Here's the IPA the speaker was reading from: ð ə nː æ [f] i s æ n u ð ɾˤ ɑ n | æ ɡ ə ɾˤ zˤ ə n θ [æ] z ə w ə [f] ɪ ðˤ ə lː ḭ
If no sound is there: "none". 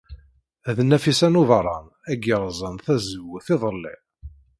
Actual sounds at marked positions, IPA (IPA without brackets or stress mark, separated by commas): f, æ, θ